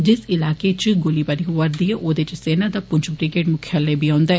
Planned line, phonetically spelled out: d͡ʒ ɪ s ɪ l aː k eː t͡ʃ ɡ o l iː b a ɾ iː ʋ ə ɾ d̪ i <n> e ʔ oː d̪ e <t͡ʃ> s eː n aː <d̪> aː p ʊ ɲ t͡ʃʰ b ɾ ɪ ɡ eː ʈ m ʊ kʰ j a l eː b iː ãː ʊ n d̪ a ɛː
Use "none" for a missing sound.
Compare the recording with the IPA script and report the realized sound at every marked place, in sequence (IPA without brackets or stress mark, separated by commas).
none, t͡ʃ, d̪